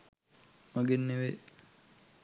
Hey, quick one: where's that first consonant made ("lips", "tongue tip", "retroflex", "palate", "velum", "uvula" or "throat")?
lips